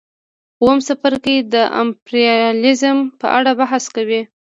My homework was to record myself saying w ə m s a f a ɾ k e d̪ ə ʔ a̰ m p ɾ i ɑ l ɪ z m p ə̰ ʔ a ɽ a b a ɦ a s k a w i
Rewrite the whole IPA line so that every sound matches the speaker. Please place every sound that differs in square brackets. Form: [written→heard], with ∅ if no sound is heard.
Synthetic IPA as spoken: w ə m s a f a ɾ k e d̪ ə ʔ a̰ m p ɾ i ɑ l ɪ z m p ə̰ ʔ a ɽ a b a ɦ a s k a w i